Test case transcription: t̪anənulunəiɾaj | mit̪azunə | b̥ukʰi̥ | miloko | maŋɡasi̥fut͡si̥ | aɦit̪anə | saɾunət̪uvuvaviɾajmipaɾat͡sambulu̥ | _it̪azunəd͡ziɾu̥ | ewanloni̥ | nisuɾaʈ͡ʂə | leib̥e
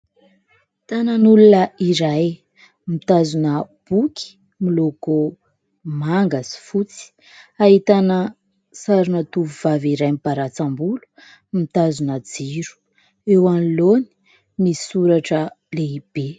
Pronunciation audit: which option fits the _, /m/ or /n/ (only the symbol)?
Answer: m